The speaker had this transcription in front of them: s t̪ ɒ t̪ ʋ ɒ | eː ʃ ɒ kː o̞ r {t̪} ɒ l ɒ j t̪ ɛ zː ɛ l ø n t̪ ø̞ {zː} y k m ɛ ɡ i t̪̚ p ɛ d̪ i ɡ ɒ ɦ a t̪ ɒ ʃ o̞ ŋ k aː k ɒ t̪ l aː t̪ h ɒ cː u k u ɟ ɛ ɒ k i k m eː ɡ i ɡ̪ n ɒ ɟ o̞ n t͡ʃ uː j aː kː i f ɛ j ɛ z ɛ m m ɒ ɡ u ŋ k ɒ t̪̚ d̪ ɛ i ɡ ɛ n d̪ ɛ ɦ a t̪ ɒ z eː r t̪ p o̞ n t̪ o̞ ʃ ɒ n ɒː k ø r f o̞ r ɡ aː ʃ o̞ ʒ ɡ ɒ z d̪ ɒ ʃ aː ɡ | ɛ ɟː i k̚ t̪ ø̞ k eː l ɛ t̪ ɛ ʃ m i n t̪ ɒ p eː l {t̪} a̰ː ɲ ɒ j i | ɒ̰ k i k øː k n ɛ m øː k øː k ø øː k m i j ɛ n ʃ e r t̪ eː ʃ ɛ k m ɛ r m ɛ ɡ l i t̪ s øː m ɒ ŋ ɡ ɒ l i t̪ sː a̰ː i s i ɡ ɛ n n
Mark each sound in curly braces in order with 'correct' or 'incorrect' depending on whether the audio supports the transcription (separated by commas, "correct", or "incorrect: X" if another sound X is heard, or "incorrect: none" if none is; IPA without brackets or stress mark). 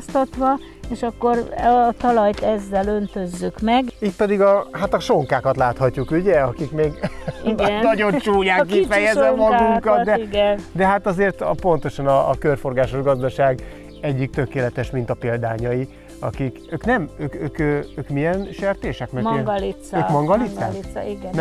correct, correct, incorrect: d̪